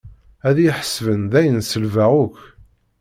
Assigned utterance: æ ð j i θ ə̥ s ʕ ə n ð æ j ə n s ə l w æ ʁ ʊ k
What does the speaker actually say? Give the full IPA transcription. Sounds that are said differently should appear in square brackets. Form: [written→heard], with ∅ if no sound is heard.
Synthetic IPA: æ ð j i [θ→ħ] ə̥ s [ʕ→v] ə n ð æ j ə n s ə l [w→v] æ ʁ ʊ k

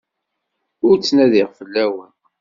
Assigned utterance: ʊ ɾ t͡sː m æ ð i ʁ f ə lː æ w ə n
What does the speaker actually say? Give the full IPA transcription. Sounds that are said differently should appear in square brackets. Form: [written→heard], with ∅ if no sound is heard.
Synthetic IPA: ʊ ɾ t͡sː [m→n] æ ð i ʁ f ə lː æ w ə n

